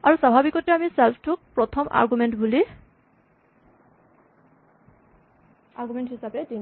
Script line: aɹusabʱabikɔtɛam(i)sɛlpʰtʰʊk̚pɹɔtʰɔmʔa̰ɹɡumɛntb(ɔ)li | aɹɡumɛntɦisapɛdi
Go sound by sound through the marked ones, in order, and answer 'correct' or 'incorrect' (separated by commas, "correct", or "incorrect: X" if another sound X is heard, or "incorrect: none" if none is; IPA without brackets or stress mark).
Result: correct, incorrect: u